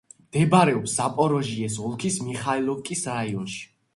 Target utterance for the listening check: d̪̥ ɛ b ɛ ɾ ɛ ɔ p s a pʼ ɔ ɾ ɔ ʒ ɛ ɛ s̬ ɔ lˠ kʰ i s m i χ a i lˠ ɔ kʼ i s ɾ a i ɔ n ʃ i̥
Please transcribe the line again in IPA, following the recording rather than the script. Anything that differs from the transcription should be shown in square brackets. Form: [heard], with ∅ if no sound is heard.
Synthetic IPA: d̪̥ ɛ b [a] ɾ ɛ ɔ p s a pʼ ɔ ɾ ɔ ʒ [i] ɛ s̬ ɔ lˠ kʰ i s m i χ a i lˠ ɔ kʼ i s ɾ a i ɔ n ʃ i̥